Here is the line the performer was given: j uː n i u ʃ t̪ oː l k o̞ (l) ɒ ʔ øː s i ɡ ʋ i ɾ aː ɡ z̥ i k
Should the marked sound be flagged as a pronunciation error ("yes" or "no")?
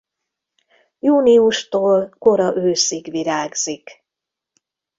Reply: yes